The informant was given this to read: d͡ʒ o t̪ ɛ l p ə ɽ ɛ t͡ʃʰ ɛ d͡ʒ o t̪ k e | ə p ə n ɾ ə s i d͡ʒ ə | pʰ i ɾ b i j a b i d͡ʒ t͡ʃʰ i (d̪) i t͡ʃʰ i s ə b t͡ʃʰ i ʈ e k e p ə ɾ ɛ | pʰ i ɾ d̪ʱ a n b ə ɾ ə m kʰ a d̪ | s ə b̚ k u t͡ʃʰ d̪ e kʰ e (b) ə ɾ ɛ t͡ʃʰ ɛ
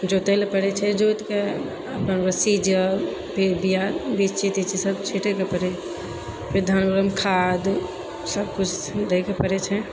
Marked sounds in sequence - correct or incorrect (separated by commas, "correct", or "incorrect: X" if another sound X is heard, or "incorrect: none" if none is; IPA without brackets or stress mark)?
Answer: incorrect: t̪, incorrect: p